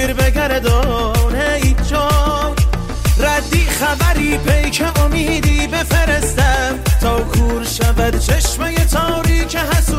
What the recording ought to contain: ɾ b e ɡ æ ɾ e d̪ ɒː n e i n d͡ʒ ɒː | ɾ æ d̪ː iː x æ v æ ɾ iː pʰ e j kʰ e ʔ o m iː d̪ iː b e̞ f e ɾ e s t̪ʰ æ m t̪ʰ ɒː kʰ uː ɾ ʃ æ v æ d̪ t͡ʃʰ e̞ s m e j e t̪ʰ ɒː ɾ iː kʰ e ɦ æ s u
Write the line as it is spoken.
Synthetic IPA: ɾ b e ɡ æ ɾ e d̪ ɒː n e i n d͡ʒ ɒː | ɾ æ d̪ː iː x æ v æ ɾ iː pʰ e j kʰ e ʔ o m iː d̪ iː b e̞ f e ɾ e s t̪ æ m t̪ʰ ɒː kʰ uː ɾ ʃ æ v æ d̪ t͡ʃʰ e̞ ʃ m e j e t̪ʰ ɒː ɾ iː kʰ e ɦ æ s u